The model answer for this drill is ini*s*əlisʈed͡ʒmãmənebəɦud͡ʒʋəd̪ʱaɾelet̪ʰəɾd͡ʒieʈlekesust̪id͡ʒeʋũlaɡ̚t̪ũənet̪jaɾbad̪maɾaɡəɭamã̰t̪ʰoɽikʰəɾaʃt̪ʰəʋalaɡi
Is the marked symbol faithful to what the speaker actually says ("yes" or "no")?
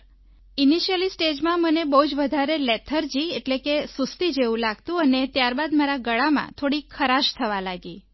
no